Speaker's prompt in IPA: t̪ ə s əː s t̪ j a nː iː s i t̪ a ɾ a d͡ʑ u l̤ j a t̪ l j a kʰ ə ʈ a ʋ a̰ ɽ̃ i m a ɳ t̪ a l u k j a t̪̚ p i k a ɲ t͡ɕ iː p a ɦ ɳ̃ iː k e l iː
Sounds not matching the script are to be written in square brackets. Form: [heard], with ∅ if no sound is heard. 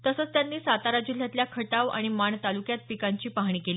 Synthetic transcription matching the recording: t̪ ə s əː [t͡s] t̪ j a nː iː s [a] t̪ a ɾ a d͡ʑ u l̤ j a t̪ l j a kʰ ə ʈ a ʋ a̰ ɽ̃ i m a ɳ t̪ a l u k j a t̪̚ p i k a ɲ t͡ɕ iː p a ɦ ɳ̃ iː k e l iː